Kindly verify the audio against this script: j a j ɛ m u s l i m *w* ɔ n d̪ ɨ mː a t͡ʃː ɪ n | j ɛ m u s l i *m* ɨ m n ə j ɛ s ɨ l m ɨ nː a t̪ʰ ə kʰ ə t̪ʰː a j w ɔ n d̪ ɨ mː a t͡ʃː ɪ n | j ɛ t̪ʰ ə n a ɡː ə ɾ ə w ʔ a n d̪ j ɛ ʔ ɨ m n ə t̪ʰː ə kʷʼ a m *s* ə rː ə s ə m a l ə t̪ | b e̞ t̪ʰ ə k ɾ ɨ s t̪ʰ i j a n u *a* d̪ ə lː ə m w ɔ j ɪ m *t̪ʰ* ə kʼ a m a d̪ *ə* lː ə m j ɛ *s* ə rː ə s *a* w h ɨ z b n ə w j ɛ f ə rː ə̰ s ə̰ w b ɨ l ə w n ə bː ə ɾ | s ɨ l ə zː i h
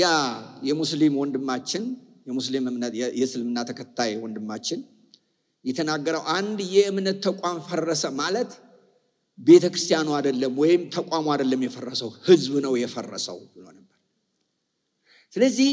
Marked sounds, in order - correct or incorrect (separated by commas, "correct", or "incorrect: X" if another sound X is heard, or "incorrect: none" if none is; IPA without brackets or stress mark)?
correct, correct, incorrect: f, correct, correct, correct, incorrect: f, incorrect: ə